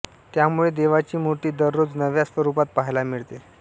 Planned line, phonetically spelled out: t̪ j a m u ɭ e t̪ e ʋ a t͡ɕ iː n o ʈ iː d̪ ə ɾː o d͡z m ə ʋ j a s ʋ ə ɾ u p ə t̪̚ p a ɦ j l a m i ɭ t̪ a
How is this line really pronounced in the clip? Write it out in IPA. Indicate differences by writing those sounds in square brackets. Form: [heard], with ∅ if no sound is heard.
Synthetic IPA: t̪ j a m u ɭ e [d̪] e ʋ a t͡ɕ iː [m] o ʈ iː d̪ ə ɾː o d͡z [n] ə ʋ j a s ʋ ə ɾ u p [a] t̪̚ p a ɦ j l a m i ɭ t̪ [e]